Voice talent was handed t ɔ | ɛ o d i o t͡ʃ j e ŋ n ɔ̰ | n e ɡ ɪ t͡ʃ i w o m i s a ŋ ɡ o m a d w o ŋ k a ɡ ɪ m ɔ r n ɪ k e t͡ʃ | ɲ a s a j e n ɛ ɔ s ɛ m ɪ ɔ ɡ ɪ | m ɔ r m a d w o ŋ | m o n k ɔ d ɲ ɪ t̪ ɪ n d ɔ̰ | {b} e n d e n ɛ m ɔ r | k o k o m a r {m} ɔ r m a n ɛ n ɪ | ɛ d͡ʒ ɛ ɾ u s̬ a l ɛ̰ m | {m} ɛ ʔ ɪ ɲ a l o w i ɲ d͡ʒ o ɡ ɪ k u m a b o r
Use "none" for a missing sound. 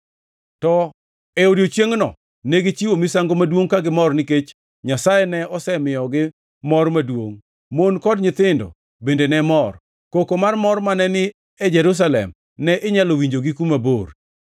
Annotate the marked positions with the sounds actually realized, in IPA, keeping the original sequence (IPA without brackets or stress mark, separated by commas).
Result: b, m, n